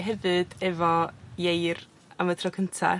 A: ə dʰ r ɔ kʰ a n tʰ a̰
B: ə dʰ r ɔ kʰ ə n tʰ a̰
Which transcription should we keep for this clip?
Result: B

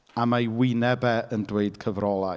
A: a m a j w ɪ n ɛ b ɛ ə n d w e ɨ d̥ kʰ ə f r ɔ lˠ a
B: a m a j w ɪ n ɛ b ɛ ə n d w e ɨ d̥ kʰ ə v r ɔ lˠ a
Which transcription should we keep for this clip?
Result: B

